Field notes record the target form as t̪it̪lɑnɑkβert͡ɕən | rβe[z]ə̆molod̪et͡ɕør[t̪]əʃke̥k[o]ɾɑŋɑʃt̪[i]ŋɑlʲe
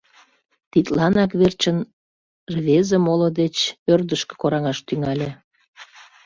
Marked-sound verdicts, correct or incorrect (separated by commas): correct, incorrect, correct, incorrect